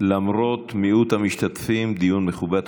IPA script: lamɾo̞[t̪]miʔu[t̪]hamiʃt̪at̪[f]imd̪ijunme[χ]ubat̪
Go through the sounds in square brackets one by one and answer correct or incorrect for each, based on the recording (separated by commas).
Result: correct, correct, correct, correct